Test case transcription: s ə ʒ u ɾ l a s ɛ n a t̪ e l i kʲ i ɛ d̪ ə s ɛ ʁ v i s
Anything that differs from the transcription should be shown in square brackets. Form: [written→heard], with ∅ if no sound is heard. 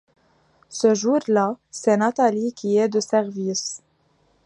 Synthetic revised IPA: s ə ʒ u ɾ l a s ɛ n a t̪ [e→a] l i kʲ i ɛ d̪ ə s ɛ ʁ v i s